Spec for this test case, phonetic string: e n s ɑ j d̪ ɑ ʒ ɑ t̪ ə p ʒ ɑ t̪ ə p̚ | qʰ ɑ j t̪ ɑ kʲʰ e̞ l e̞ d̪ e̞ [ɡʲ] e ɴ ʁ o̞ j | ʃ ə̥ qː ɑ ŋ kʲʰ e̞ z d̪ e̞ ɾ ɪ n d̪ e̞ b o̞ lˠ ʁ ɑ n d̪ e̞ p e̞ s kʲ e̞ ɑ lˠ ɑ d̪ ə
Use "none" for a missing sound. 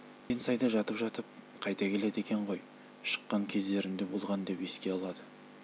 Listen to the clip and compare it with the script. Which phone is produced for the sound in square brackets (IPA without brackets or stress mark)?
kʲ